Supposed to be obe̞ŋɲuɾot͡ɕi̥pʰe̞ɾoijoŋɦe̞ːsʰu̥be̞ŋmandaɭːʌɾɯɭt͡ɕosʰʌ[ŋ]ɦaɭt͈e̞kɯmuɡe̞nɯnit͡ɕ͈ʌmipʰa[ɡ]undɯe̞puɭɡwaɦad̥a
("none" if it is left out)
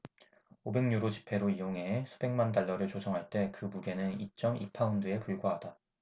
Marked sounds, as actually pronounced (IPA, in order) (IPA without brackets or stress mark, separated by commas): ŋ, none